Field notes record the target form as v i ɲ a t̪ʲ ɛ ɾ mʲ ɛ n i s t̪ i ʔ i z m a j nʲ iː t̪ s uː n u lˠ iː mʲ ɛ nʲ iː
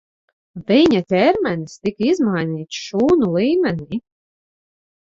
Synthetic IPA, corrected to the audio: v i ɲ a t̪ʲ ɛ ɾ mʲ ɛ n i s t̪ i k i z m a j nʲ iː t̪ ʃ uː n u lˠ iː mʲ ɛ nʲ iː